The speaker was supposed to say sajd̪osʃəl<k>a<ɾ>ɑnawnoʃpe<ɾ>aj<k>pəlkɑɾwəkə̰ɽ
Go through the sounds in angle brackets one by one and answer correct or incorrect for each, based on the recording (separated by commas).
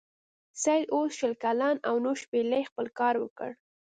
correct, incorrect, incorrect, incorrect